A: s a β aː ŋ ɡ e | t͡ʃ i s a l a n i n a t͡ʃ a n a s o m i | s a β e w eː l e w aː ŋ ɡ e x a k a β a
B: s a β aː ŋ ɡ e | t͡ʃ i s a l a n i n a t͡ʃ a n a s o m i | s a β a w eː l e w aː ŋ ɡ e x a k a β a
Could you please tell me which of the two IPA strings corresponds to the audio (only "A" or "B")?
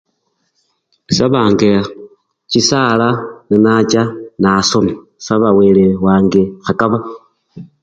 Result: B